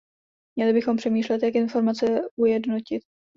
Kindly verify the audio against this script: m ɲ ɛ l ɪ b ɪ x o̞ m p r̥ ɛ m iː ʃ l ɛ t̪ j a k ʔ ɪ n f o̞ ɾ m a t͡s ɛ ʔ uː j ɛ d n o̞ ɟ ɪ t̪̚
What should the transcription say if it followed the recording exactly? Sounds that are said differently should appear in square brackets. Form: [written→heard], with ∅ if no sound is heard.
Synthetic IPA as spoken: m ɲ ɛ l ɪ b ɪ x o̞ m p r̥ ɛ m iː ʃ l ɛ t̪ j a k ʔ ɪ n f o̞ ɾ m a t͡s ɛ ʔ [uː→u] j ɛ d n o̞ [ɟ→c] ɪ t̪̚